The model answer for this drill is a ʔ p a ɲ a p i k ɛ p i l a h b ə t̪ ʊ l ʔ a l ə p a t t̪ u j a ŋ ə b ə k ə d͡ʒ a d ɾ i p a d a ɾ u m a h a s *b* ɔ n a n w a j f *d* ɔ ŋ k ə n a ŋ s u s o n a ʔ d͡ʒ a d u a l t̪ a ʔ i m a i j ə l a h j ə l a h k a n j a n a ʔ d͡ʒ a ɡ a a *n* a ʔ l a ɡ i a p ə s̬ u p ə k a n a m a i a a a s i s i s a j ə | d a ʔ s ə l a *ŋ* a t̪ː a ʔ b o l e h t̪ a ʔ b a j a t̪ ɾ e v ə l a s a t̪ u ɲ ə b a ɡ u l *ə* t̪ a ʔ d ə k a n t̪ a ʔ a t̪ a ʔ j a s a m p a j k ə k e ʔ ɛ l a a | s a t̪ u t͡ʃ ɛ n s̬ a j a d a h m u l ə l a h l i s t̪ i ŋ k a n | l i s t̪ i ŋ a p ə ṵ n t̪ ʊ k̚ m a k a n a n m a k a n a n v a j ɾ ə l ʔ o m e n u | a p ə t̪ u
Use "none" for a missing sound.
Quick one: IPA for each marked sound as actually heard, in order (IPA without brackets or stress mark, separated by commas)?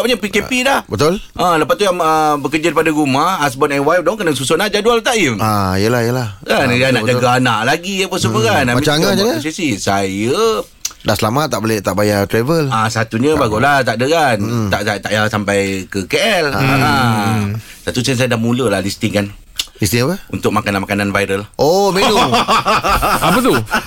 b, d, n, m, a